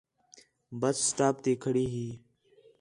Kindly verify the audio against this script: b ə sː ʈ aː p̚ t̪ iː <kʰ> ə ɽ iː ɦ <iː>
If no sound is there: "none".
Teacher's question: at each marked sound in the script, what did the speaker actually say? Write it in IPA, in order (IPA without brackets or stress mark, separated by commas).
kʰ, iː